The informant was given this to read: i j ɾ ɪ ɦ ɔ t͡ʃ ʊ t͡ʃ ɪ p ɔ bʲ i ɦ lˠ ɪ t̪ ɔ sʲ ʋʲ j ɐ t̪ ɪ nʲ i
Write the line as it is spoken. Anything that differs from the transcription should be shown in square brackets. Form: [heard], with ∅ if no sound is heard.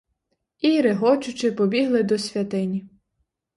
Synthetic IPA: i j ɾ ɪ ɦ ɔ t͡ʃ ʊ t͡ʃ ɪ p ɔ bʲ i ɦ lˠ ɪ [d̪] ɔ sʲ ʋʲ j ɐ t̪ ɪ nʲ i